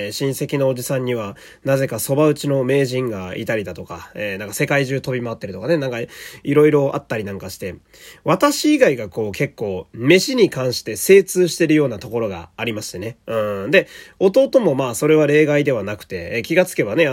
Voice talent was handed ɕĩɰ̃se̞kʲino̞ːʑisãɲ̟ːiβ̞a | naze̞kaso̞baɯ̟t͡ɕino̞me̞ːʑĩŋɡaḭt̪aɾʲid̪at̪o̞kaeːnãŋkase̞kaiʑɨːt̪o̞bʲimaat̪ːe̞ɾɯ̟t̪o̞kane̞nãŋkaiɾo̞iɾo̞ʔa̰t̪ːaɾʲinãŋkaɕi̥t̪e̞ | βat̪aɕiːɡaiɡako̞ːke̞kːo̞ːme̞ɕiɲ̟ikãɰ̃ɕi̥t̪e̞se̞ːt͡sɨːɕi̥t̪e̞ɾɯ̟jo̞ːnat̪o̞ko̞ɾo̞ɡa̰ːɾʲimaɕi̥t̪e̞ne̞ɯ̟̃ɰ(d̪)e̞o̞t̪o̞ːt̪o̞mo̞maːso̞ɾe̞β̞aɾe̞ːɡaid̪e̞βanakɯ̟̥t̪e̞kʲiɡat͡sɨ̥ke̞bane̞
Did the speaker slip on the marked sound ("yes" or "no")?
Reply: no